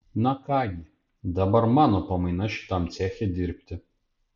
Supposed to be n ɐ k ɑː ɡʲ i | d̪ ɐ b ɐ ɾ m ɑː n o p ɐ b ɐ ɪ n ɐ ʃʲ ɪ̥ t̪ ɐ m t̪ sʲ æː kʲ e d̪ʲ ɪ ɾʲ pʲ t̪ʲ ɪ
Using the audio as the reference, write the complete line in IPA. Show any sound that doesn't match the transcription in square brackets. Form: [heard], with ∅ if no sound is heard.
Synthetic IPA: n ɐ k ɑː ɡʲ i | d̪ ɐ b ɐ ɾ m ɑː n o p ɐ [m] ɐ ɪ n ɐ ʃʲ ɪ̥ t̪ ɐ m t̪ sʲ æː [xʲ] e d̪ʲ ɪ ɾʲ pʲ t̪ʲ ɪ